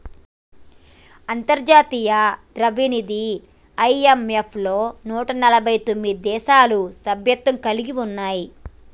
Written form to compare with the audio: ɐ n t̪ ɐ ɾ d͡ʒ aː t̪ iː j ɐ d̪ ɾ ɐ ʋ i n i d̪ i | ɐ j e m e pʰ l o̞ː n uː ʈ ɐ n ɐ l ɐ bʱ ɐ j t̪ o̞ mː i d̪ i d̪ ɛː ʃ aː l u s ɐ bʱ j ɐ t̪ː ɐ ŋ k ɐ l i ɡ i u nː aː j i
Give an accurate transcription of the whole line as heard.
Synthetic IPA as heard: ɐ n t̪ ɐ ɾ d͡ʒ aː t̪ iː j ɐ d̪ ɾ ɐ ʋ i n i d̪ i | ɐ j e m e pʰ l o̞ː n uː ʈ ɐ n ɐ l ɐ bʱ ɐ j t̪ o̞ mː i d̪ i d̪ ɛː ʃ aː l u s ɐ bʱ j ɐ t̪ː ɐ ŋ k ɐ l i ɡ i u nː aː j i